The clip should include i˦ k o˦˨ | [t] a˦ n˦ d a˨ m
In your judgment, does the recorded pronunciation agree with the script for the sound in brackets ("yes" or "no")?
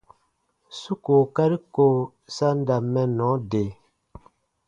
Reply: no